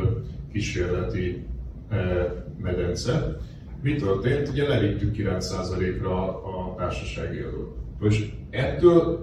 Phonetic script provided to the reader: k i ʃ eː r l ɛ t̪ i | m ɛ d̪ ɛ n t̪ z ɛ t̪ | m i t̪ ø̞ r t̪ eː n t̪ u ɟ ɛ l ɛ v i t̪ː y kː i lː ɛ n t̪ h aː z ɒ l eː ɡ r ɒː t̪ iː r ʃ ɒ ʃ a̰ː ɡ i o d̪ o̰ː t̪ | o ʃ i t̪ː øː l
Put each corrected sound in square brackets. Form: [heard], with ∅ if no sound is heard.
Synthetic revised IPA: k i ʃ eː r l ɛ t̪ i | m ɛ d̪ ɛ n t̪ [s] ɛ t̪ | m i t̪ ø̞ r t̪ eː n t̪ u ɟ ɛ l ɛ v i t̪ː y kː i [l] ɛ n t̪ [s] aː z ɒ l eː [k] r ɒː t̪ [aː] r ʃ ɒ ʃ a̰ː ɡ i [ɒ] d̪ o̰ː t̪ | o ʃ [ɛ] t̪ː øː l